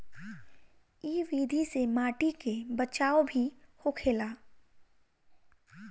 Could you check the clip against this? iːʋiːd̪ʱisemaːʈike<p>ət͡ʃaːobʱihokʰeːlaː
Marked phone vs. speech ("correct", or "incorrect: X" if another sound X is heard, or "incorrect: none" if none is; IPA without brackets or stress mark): incorrect: b